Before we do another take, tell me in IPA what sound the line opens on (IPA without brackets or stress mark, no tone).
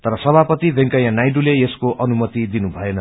t̪